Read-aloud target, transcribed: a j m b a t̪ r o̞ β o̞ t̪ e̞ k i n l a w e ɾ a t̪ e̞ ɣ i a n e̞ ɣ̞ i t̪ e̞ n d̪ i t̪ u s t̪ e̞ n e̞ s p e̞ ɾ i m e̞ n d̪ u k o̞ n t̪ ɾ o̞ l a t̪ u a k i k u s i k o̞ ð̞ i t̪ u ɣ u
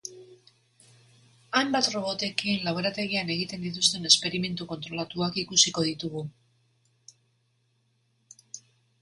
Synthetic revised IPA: a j m b a t̪ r o̞ β o̞ t̪ e̞ k i n l a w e ɾ a t̪ e̞ ɣ i a n e̞ ɣ̞ i t̪ e̞ n d̪ i t̪ u s t̪ e̞ n e̞ s p e̞ ɾ i m e̞ n t̪ u k o̞ n t̪ ɾ o̞ l a t̪ u a k i k u s i k o̞ ð̞ i t̪ u ɣ u